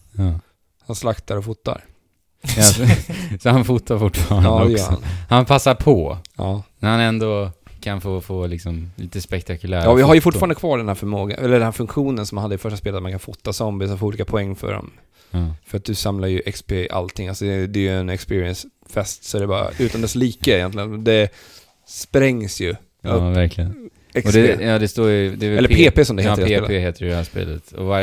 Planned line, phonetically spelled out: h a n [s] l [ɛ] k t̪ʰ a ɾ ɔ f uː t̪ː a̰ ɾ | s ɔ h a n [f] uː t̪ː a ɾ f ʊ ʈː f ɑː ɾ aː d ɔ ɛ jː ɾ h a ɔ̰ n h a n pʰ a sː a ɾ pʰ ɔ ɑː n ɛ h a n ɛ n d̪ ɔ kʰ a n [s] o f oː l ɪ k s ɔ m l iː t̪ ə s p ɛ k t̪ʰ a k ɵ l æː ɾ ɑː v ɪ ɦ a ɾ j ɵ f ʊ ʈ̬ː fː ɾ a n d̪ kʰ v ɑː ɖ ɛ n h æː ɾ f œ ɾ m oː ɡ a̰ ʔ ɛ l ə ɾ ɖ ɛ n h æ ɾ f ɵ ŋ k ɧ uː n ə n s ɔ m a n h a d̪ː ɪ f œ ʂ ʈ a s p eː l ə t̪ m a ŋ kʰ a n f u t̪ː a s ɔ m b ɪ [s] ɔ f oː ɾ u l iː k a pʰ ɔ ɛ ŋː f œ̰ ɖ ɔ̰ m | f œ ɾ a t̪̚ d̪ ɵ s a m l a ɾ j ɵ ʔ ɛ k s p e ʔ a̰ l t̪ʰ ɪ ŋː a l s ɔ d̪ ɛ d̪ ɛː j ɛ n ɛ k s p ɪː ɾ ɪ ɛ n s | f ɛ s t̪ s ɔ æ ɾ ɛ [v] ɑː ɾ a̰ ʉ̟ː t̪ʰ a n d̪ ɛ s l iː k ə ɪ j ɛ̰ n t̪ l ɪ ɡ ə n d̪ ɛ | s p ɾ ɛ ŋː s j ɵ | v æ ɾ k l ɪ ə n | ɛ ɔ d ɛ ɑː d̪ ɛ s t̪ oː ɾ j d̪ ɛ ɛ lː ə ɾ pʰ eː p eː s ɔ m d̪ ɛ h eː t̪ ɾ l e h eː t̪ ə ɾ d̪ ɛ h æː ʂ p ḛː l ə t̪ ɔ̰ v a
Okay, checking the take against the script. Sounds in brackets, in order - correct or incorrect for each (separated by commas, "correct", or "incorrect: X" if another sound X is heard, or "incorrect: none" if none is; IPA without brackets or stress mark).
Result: correct, incorrect: a, correct, incorrect: f, correct, incorrect: b